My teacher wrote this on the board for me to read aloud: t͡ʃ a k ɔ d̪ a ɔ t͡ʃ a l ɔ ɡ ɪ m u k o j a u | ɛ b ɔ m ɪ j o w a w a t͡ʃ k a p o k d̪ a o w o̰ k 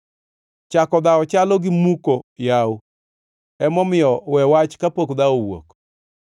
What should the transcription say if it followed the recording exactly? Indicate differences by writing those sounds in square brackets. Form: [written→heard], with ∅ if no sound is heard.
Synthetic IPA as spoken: t͡ʃ a k ɔ d̪ a ɔ t͡ʃ a l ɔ ɡ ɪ m u k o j a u | ɛ [b→m] ɔ m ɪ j [o→ɔ] w [a→ɛ] w a t͡ʃ k a p o k d̪ a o w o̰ k